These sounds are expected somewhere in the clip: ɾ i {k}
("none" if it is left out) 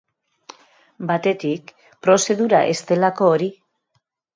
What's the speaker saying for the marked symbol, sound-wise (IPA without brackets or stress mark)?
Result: none